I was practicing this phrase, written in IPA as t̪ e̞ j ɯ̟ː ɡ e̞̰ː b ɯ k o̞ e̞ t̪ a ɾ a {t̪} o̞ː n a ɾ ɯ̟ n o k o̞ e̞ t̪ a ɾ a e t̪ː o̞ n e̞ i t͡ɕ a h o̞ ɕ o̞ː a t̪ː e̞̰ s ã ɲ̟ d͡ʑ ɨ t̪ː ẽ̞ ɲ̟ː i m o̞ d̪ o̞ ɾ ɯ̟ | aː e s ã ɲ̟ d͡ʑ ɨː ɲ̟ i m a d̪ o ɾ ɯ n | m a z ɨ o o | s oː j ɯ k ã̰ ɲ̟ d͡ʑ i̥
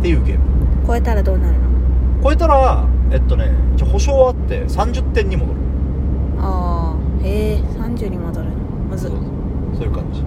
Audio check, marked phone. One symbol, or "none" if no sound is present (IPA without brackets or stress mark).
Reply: d̪